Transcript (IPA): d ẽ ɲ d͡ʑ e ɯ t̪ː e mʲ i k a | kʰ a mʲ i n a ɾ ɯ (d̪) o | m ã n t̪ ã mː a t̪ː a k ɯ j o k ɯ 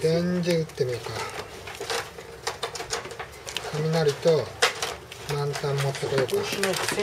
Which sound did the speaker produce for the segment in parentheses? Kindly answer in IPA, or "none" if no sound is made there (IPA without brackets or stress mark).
t̪